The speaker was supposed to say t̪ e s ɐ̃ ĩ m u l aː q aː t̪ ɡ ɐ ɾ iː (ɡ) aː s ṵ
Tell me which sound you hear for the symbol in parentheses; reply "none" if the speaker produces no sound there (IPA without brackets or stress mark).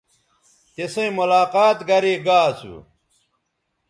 ɡ